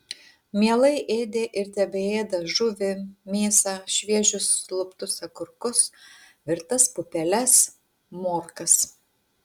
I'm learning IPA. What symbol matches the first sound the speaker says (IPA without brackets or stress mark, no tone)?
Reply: mʲ